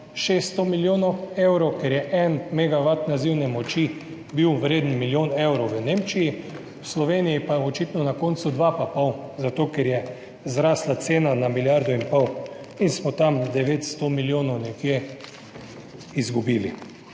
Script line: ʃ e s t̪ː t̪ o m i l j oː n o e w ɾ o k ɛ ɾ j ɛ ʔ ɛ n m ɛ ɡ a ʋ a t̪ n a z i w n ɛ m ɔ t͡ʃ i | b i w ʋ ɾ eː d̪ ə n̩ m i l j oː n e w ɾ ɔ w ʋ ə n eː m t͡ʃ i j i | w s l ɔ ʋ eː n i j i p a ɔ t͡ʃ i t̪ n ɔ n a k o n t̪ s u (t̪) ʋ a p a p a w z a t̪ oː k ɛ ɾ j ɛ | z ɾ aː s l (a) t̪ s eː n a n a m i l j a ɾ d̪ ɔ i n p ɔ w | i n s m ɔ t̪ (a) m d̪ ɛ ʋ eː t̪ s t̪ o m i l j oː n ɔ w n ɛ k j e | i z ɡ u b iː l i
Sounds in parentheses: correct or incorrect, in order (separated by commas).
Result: incorrect, correct, correct